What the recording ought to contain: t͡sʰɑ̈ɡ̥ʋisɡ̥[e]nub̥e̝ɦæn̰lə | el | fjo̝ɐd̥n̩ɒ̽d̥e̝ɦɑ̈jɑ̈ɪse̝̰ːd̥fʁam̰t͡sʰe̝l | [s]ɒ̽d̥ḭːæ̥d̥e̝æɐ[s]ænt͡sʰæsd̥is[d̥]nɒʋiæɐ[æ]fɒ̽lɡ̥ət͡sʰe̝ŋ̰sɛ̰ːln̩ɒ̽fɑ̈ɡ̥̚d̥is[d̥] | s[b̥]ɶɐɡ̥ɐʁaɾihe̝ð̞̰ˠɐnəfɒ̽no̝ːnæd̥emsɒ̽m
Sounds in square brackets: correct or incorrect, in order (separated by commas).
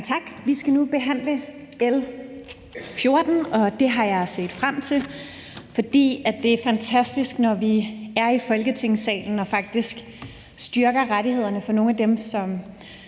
incorrect, incorrect, incorrect, incorrect, incorrect, incorrect, incorrect